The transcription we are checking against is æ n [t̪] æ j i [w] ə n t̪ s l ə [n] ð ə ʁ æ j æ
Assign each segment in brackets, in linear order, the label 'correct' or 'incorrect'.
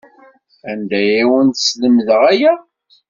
incorrect: d̪, correct, incorrect: m

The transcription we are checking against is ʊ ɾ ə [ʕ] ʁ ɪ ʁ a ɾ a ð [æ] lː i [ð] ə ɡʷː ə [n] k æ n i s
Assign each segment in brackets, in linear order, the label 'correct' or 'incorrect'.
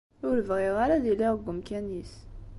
incorrect: v, incorrect: i, incorrect: ʁ, incorrect: m

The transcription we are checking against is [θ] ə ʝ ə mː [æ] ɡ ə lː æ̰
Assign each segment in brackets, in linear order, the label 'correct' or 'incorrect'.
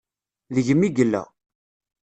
incorrect: ð, incorrect: i

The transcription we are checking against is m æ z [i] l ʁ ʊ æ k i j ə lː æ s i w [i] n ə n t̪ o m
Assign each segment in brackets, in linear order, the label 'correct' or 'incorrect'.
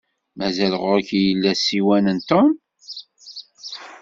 incorrect: æ, incorrect: æ

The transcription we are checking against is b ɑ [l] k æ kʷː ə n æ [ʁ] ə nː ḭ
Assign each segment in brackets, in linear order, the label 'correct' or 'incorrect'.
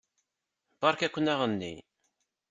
incorrect: ɾ, correct

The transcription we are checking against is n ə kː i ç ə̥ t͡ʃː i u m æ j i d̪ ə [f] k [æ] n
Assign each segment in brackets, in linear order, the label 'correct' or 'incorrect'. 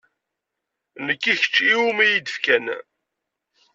correct, correct

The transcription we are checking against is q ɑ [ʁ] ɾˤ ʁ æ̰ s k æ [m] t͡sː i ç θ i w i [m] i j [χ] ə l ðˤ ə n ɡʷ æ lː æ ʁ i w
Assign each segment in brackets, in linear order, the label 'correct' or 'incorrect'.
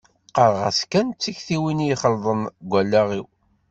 incorrect: none, incorrect: n, incorrect: n, correct

